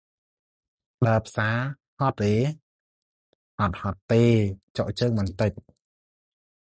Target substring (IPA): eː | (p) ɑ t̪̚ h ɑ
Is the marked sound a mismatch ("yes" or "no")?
yes